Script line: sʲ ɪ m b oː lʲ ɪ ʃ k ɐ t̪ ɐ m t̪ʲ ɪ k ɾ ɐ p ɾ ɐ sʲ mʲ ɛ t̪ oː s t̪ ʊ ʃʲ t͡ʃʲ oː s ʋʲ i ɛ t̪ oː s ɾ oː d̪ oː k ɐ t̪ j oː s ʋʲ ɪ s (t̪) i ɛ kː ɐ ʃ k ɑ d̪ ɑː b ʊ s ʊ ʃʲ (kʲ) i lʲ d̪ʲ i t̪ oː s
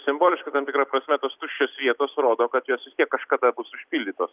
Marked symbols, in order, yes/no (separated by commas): yes, no